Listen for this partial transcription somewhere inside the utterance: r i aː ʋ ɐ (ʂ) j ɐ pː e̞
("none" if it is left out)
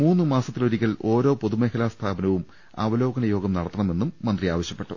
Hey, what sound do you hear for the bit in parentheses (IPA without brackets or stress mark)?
ɕ